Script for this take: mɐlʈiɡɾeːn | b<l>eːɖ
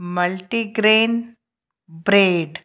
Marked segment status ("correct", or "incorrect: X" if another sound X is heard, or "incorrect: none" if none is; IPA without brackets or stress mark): incorrect: ɾ